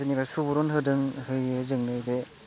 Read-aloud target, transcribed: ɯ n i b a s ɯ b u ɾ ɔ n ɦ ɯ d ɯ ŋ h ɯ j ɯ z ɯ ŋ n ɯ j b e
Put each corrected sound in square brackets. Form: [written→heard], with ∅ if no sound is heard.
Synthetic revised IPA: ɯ n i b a s [ɯ→u] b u ɾ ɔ n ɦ ɯ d ɯ ŋ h ɯ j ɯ z ɯ ŋ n ɯ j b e